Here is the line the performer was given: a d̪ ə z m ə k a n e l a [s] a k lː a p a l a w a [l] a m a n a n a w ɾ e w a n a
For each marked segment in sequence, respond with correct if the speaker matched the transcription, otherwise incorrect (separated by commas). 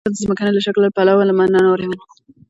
incorrect, correct